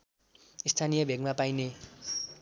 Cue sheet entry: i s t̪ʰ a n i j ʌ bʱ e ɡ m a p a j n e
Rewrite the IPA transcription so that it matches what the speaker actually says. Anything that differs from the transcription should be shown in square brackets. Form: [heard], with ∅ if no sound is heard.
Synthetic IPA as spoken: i s t̪ʰ a n i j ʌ bʱ e ɡ m a p a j n e